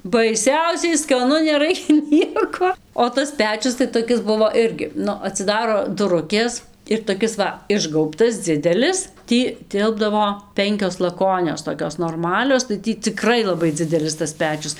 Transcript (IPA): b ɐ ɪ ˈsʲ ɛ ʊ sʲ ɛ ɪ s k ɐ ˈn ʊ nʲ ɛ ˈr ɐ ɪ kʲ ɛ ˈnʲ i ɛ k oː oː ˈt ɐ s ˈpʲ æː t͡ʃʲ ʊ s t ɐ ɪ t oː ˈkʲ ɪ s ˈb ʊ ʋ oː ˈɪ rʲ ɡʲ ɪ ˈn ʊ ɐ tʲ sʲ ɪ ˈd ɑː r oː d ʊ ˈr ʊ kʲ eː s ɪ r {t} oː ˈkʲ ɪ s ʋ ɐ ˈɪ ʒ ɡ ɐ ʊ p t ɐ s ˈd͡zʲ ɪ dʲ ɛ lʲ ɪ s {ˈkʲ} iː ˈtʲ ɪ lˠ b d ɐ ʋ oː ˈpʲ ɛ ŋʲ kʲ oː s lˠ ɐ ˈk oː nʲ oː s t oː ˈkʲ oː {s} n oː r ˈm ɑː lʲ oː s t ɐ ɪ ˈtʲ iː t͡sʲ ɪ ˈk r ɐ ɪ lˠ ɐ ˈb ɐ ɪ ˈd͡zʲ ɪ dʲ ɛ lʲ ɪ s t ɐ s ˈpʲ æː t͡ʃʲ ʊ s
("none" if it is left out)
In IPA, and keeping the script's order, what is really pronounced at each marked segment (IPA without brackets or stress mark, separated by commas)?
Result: t, tʲ, s